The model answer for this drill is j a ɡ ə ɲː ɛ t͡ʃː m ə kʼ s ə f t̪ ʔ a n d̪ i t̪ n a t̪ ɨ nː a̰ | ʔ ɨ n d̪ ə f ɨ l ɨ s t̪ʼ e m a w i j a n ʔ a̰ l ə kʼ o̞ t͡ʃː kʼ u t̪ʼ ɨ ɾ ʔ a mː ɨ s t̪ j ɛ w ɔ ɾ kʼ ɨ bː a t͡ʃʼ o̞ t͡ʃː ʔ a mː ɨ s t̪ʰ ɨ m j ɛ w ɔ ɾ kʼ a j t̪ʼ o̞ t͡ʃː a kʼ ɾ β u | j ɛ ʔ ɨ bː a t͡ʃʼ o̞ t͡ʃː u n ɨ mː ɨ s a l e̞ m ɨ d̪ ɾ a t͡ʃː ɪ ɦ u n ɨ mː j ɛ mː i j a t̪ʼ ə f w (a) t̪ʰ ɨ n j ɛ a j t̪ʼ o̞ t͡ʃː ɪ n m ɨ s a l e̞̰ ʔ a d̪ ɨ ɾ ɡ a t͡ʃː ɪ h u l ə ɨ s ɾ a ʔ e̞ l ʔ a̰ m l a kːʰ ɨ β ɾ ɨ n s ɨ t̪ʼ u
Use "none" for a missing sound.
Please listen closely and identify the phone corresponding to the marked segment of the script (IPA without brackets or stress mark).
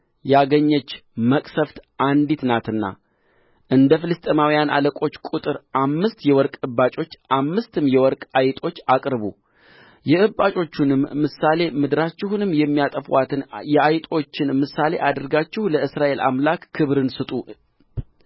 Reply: a